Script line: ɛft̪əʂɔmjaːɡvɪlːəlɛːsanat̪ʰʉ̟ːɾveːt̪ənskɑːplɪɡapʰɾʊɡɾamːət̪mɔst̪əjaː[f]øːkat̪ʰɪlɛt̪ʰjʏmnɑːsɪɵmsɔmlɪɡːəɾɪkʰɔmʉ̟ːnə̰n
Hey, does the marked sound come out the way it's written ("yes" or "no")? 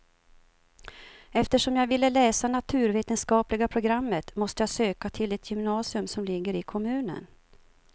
no